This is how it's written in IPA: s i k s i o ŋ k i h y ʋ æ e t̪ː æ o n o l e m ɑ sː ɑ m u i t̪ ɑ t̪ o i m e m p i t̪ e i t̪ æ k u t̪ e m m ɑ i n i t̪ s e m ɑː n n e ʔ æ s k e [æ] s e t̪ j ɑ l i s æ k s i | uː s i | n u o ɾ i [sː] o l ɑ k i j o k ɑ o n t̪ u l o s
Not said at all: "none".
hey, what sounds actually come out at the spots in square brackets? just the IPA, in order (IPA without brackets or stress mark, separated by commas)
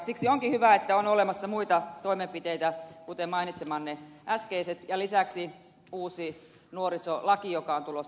i, s